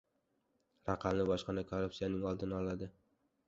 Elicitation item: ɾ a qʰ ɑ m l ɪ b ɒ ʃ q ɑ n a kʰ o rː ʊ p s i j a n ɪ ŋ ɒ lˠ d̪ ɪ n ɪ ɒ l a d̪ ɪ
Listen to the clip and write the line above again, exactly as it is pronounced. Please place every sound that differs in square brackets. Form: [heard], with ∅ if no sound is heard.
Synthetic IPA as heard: ɾ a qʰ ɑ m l ɪ b ɒ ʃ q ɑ n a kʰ o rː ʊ p s i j a n ɪ ŋ ɒ lˠ d̪ ɪ n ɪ ɒ l a d̪ ɪ